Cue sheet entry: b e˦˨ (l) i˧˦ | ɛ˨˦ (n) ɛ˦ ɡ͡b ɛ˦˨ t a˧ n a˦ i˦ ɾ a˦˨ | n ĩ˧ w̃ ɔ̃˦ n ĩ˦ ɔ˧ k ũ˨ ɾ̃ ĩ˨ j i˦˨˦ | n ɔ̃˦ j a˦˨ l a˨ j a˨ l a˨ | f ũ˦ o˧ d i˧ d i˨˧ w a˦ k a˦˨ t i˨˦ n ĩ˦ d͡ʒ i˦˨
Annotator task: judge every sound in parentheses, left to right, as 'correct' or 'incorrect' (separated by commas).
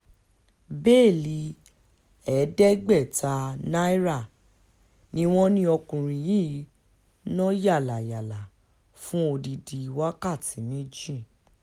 correct, incorrect